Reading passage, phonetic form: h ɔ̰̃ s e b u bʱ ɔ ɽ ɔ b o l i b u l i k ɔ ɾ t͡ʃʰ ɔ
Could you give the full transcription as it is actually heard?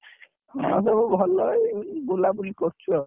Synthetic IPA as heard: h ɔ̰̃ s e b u bʱ ɔ l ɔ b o l a b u l i k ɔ ɾ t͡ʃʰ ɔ